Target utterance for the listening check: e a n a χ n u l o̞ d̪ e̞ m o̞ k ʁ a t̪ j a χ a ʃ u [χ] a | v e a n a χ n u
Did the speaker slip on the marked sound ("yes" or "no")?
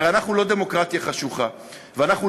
no